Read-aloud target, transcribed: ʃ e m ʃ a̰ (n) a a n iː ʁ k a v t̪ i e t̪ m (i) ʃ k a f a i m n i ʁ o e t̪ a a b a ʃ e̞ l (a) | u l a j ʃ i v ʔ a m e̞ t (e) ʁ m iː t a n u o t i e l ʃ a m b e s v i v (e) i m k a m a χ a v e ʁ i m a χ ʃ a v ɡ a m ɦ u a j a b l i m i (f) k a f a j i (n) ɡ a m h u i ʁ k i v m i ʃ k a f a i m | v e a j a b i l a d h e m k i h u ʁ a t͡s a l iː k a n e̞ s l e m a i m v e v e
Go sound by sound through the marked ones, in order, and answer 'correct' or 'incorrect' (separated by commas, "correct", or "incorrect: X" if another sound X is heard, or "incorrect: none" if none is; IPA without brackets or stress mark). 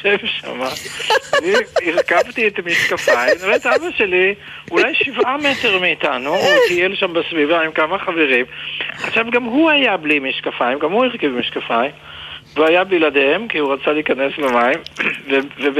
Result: incorrect: m, correct, incorrect: i, correct, incorrect: a, incorrect: ʃ, incorrect: m